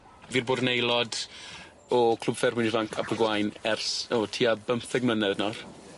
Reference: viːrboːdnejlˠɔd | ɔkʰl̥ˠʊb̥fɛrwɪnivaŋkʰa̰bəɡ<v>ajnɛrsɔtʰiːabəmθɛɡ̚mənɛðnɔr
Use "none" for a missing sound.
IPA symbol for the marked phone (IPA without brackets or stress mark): w